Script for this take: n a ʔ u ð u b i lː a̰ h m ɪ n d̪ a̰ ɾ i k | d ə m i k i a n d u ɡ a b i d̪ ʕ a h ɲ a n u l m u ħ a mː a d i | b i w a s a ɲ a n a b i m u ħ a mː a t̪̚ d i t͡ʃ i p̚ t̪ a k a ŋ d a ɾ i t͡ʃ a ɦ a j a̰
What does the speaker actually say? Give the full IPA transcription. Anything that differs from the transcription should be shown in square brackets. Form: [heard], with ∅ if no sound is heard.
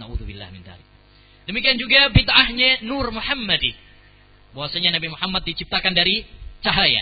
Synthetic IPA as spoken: n a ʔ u ð u b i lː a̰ h m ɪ n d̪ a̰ ɾ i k | d ə m i k i a n [d͡ʒ] u ɡ a b i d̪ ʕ a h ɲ a n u [r] m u ħ a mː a d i | b [a] w a s a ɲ a n a b i m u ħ a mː a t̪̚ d i t͡ʃ i p̚ t̪ a k a [n] d a ɾ i t͡ʃ a ɦ a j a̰